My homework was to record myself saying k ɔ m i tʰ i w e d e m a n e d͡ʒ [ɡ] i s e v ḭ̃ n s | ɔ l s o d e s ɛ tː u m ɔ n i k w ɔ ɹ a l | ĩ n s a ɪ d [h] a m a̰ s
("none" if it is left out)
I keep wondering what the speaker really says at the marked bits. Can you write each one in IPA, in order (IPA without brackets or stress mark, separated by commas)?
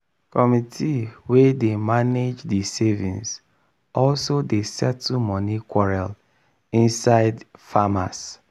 d, f